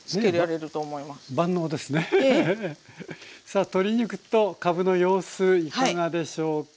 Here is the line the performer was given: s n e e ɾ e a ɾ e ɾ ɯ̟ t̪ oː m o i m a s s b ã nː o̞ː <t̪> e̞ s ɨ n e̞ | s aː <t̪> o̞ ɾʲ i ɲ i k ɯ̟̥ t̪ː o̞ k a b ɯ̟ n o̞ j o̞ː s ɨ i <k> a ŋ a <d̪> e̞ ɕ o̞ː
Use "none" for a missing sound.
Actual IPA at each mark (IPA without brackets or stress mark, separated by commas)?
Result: d̪, t̪, k, d̪